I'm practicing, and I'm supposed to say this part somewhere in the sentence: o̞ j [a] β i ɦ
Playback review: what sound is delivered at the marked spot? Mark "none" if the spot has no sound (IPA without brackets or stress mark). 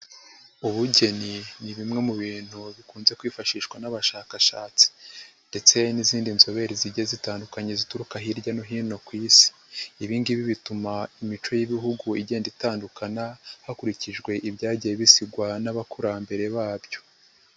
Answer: i